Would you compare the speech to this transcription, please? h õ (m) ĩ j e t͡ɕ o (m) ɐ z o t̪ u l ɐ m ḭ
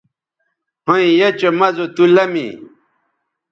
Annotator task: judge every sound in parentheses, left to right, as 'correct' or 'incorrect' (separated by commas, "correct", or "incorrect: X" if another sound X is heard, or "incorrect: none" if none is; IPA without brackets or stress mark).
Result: incorrect: none, correct